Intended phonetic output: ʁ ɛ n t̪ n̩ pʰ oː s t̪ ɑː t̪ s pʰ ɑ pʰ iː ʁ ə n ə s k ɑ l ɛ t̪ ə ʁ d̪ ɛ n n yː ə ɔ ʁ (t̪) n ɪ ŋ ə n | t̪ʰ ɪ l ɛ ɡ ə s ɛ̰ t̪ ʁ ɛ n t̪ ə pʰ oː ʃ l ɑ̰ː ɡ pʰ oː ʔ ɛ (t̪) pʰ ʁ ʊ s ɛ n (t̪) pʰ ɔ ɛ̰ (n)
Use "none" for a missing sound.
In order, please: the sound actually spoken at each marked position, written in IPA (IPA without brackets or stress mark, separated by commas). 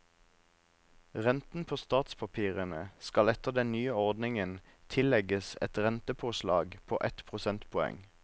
d̪, t̪, t̪, ŋ